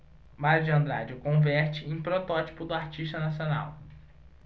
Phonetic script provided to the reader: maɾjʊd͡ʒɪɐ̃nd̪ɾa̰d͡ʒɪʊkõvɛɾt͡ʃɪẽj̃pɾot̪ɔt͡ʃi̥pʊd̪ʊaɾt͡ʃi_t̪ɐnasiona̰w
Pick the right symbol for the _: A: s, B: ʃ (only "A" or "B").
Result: B